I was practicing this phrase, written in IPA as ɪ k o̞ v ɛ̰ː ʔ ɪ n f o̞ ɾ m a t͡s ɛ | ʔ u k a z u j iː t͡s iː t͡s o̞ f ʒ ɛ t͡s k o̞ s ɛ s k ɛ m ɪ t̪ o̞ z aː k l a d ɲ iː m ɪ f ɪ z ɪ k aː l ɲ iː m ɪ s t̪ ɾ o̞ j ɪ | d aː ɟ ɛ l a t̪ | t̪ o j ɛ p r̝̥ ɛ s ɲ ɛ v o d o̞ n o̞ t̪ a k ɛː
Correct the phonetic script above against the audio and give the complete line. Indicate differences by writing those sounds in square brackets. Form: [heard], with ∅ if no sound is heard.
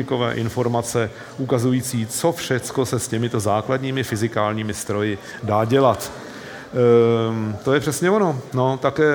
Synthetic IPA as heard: ɪ k o̞ v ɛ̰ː ʔ ɪ n f o̞ ɾ m a t͡s ɛ | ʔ u k a z u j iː t͡s iː t͡s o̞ f [ʃ] ɛ t͡s k o̞ s ɛ s [c] ɛ m ɪ t̪ o̞ z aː k l a d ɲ iː m ɪ f ɪ z ɪ k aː l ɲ iː m ɪ s t̪ ɾ o̞ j ɪ | d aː ɟ ɛ l a t̪ | t̪ o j ɛ p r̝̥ ɛ s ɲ ɛ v o [n] o̞ n o̞ t̪ a k ɛː